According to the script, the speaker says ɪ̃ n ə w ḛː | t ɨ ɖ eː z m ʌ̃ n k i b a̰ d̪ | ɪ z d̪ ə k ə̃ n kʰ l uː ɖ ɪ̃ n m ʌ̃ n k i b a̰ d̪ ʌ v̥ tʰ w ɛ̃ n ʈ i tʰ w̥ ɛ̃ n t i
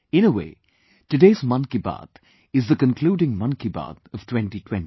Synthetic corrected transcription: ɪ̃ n ə w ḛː | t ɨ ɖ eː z m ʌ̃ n k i b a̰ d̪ | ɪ z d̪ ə k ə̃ n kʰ l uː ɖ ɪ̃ ŋ m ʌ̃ n k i b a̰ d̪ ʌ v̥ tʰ w ɛ̃ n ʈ i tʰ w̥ ɛ̃ n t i